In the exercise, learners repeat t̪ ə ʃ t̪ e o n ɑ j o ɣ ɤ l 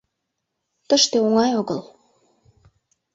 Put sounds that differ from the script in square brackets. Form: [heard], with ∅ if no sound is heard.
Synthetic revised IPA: t̪ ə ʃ t̪ e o [ŋ] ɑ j o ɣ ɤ l